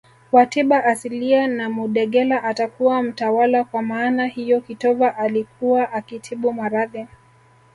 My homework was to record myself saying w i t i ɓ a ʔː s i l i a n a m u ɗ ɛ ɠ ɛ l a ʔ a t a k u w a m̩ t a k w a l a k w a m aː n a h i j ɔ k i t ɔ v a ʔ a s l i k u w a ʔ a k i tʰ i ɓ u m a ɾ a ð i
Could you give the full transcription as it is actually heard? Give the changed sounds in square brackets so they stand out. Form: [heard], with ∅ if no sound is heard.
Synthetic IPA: w [a] t i ɓ a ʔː s i l i a n a m u ɗ ɛ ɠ ɛ l a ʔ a t a k u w a m̩ t a [∅] w a l a k w a m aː n a h i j ɔ k i t ɔ v a ʔ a [∅] l i k u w a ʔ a k i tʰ i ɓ u m a ɾ a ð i